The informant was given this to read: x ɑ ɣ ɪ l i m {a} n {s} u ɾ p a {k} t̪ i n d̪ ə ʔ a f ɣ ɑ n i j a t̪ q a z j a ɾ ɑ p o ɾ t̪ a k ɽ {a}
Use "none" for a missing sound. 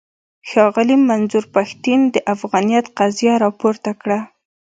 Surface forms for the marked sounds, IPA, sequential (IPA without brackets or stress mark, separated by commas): a, z, x, a